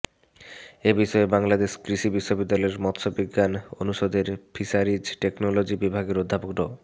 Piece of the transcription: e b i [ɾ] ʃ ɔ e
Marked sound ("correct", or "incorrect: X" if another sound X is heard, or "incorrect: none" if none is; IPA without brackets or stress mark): incorrect: none